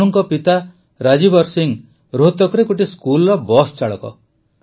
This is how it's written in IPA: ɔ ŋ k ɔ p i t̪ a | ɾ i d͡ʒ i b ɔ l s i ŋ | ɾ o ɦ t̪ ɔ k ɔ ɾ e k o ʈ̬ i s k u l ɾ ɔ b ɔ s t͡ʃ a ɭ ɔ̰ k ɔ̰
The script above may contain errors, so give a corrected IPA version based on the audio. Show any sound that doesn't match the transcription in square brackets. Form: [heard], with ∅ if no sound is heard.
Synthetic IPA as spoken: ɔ ŋ k ɔ p i t̪ a | ɾ [a] d͡ʒ i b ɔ [ɾ] s i ŋ | ɾ o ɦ t̪ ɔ k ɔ ɾ e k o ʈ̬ i s k u l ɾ ɔ b ɔ s t͡ʃ a ɭ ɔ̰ k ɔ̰